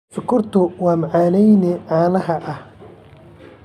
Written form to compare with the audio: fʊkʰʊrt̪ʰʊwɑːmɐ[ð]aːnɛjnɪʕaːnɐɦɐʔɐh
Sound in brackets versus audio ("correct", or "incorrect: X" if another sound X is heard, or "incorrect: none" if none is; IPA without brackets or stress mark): incorrect: ʕ